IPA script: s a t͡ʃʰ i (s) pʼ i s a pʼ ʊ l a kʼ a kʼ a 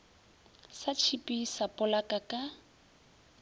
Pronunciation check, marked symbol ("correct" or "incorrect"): incorrect